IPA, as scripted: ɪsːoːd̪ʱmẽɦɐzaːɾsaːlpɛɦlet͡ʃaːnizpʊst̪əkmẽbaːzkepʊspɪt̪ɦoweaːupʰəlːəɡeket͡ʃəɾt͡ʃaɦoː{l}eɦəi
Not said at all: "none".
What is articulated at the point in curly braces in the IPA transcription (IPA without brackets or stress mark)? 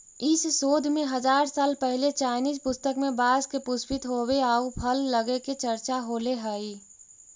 l